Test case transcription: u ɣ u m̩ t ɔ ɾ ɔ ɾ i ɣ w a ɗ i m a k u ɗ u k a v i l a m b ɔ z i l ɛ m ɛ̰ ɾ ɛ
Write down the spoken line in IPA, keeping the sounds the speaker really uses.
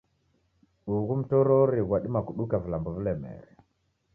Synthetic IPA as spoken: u ɣ u m̩ t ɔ ɾ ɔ ɾ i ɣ w a ɗ i m a k u ɗ u k a v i l a m b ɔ v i l ɛ m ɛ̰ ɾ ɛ